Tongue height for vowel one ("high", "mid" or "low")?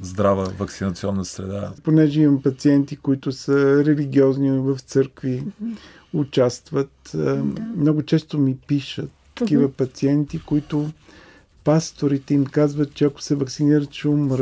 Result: low